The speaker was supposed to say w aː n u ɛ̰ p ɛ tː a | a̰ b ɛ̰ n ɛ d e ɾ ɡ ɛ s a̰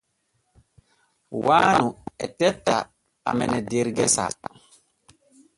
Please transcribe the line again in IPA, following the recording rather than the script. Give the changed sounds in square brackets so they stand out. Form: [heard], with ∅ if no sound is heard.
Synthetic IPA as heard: w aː n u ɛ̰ [t] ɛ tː a | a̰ [m] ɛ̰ n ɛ d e ɾ ɡ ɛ s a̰